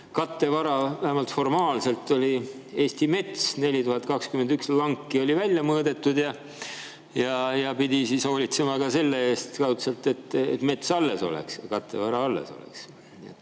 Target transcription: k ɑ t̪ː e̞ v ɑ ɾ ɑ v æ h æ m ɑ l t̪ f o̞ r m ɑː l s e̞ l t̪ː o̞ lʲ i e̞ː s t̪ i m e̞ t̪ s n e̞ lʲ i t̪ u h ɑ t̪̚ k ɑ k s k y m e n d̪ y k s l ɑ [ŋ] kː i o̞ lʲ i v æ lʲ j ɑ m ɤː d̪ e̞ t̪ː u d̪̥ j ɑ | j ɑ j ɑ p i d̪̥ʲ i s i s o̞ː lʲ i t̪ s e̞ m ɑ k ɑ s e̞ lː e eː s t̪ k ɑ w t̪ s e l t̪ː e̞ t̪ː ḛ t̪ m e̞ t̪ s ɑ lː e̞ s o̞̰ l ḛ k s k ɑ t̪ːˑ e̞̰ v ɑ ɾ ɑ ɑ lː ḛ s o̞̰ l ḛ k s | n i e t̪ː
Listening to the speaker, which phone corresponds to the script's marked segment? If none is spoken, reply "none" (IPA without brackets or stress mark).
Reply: ŋ